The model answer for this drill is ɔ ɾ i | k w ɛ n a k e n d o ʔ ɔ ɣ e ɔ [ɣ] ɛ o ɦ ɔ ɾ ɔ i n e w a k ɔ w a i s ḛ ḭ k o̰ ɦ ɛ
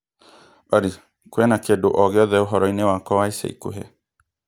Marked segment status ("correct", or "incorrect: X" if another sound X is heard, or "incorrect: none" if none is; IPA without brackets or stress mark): incorrect: ð